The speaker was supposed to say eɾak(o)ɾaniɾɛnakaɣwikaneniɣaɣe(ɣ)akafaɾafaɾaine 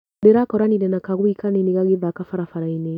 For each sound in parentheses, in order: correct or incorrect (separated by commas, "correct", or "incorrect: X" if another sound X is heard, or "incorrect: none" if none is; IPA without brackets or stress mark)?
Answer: incorrect: ɔ, incorrect: ð